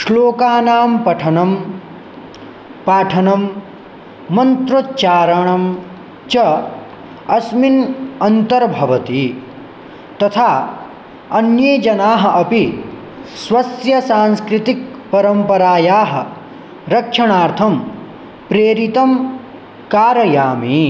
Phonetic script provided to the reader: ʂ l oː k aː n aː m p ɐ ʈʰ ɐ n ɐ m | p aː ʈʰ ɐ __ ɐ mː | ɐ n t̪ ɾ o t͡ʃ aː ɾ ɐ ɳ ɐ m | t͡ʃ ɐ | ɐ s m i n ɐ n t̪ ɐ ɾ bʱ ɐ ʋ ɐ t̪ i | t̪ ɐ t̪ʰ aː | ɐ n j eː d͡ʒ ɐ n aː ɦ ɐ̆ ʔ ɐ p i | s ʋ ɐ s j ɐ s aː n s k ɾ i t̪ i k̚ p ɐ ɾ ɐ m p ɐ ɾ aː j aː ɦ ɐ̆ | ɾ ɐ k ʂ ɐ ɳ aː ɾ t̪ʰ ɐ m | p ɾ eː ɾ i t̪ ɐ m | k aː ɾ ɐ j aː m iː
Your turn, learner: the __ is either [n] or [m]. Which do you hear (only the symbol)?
n